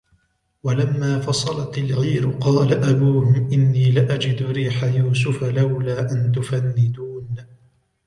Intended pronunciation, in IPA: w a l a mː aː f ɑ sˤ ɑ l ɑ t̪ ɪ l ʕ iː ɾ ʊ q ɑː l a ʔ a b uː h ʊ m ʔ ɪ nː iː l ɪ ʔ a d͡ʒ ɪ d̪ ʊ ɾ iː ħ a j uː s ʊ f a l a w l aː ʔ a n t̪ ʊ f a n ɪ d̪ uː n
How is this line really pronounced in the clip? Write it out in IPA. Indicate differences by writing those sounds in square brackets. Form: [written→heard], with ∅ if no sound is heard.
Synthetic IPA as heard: w a l a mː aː f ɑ sˤ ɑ l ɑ t̪ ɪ l [ʕ→ɣ] iː ɾ ʊ q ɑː l a ʔ a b uː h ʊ m ʔ ɪ nː iː l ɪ ʔ a d͡ʒ ɪ d̪ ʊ ɾ iː ħ a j uː s ʊ f a l a w l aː ʔ a n t̪ ʊ f a [n→nː] ɪ d̪ uː n